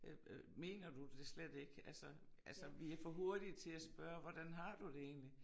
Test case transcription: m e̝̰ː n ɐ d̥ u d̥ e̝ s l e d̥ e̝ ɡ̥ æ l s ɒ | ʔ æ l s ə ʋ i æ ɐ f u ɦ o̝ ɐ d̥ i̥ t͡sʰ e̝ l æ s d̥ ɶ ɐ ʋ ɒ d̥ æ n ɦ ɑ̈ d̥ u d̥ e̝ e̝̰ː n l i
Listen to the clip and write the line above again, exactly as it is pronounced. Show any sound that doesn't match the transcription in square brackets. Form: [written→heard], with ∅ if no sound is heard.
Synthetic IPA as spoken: m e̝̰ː n ɐ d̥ u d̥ e̝ s l e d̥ e̝ ɡ̥ æ l s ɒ | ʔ æ l s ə ʋ i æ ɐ f [u→ɒ] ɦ o̝ ɐ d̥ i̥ t͡sʰ e̝ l æ s [d̥→b̥] ɶ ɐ ʋ ɒ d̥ æ n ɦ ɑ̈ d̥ u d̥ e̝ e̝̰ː n l i